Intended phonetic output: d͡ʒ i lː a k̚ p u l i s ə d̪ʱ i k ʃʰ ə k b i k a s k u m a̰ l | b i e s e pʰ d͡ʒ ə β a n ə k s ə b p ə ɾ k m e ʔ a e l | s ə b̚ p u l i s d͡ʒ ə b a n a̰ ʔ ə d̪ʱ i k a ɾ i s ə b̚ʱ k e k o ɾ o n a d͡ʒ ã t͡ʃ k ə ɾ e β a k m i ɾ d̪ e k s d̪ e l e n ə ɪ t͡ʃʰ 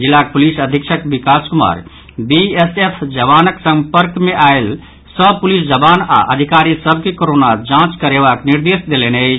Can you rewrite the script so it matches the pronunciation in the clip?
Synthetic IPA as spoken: d͡ʒ i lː a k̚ p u l i s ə d̪ʱ i k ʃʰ ə k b i k a s k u m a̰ ɾ | b i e s e pʰ d͡ʒ ə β a n ə k s ə m p ə ɾ k m e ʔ a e l | s ə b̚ p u l i s d͡ʒ ə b a n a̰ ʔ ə d̪ʱ i k a ɾ i s ə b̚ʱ k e k o ɾ o n a d͡ʒ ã t͡ʃ k ə ɾ e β a k n i ɾ d̪ e s d̪ e l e n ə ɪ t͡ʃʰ